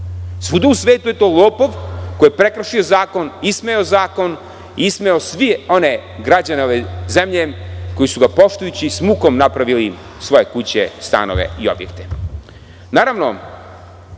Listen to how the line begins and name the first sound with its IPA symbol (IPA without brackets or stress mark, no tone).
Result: s